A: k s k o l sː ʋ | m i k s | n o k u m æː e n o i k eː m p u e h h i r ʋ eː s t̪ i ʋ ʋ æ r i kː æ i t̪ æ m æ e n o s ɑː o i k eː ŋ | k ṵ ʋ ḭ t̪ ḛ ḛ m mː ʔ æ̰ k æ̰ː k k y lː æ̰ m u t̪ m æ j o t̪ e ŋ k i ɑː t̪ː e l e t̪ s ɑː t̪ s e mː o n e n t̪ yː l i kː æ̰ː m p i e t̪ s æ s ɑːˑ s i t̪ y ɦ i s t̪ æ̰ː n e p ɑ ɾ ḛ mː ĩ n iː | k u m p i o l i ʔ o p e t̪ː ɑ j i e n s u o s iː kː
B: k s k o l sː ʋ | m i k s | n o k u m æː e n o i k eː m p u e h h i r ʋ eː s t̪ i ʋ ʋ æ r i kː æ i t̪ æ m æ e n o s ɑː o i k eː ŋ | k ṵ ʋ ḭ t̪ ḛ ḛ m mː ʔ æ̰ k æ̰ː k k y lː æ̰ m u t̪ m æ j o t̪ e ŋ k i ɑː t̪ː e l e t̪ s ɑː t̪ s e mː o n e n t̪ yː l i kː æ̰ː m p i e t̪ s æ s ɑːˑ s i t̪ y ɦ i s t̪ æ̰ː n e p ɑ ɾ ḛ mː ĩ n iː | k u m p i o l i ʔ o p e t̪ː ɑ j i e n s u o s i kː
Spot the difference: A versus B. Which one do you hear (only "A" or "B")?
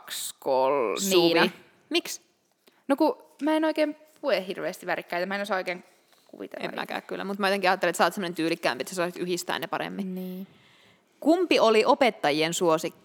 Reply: B